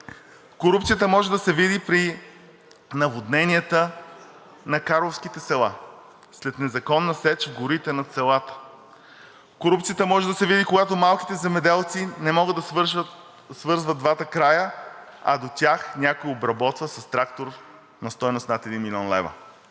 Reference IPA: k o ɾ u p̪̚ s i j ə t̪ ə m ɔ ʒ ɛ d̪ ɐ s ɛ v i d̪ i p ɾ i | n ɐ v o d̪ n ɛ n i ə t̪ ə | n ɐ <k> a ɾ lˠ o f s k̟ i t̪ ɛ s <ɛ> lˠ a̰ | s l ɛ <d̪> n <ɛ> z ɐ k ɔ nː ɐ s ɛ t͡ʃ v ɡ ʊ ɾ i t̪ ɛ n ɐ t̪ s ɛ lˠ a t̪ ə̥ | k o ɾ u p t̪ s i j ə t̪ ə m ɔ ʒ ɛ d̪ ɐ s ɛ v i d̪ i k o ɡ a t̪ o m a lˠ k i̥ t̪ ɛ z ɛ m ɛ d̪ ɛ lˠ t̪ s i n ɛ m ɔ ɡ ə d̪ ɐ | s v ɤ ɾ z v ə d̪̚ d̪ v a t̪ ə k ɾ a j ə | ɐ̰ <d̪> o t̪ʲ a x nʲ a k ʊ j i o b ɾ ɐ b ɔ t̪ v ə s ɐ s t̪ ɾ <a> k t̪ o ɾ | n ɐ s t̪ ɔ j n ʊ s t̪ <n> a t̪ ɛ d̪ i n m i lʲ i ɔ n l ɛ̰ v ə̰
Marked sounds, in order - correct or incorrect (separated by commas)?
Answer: correct, correct, incorrect, correct, correct, correct, correct